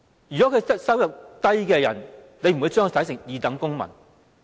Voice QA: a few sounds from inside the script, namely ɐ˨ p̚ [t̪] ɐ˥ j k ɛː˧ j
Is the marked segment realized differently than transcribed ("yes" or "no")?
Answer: no